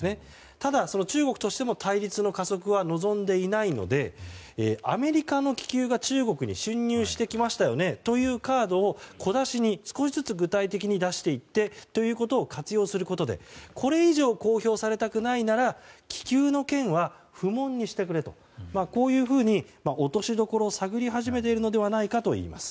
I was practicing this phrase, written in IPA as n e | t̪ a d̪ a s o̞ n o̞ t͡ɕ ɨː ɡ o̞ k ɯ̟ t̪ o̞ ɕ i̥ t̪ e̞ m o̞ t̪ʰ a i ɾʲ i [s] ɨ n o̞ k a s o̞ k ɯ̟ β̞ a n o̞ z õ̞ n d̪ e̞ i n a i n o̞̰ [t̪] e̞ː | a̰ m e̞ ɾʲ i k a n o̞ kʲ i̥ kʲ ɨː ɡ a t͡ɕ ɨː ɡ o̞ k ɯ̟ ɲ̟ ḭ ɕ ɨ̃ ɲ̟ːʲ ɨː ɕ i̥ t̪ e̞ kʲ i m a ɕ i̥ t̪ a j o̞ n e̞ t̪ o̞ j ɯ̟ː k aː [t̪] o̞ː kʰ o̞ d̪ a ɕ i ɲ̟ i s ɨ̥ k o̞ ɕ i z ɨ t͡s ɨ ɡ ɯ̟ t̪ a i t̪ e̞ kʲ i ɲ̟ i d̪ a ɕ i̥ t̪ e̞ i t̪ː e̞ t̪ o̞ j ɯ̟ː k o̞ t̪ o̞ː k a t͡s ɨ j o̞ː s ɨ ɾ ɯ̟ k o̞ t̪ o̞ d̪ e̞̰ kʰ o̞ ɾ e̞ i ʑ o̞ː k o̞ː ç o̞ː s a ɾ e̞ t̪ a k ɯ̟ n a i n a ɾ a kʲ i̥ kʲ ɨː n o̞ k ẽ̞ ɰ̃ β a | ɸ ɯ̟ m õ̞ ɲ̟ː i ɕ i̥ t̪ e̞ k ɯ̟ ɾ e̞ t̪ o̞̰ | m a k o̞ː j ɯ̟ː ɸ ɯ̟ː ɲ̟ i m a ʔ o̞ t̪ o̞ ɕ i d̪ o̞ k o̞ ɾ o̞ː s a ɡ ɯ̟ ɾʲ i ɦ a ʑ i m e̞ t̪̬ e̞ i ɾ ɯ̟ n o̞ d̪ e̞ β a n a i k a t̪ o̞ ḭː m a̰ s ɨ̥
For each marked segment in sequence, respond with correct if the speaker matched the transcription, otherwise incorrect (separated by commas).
incorrect, incorrect, incorrect